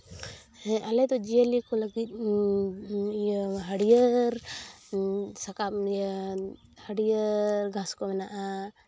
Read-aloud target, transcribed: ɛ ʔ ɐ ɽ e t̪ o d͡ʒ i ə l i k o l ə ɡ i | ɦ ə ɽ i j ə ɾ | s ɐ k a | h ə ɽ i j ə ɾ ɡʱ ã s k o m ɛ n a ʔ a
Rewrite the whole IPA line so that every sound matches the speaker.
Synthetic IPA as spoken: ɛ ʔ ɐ l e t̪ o d͡ʒ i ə l i k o l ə ɡ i | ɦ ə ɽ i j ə ɾ | s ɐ k a | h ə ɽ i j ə ɾ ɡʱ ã s k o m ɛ n a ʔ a